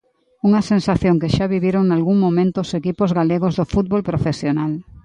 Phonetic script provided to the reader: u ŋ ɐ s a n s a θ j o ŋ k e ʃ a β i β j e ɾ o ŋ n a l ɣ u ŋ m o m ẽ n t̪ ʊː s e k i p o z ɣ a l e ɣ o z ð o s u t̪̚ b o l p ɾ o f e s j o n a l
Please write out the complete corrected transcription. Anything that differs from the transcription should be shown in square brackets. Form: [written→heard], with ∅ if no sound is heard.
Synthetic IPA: u ŋ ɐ s [a→e] n s a θ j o ŋ k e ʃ a β i β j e ɾ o ŋ n a l ɣ u ŋ m o m ẽ n t̪ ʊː s e k i p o z ɣ a l e ɣ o z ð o [s→f] u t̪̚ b o l p ɾ o f e s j o n a l